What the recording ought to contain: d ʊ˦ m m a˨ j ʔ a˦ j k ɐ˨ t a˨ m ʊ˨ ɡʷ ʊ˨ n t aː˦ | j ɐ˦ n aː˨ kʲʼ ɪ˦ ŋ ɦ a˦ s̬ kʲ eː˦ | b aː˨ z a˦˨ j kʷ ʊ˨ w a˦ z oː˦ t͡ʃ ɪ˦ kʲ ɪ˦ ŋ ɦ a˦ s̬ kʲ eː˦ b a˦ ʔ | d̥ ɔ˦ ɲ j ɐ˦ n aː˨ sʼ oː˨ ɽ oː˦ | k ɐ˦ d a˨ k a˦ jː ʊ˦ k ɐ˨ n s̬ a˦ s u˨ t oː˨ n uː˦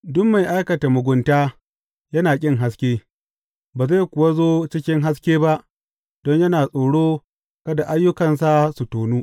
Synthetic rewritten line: d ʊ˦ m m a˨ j ʔ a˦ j k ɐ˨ t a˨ m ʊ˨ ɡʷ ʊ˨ n t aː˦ | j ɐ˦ n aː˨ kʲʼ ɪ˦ ŋ ɦ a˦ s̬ kʲ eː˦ | b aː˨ z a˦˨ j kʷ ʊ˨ w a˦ z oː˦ t͡ʃ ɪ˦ kʲ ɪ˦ ŋ ɦ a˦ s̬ kʲ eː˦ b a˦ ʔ | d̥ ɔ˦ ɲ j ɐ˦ n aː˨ sʼ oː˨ ɽ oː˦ | k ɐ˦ d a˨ ʔ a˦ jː ʊ˦ k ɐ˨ n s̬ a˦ s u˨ t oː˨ n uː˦